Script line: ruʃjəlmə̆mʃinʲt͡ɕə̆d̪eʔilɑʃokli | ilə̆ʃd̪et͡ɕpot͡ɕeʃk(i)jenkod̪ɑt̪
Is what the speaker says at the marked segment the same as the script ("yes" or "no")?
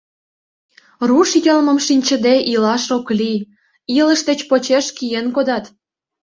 yes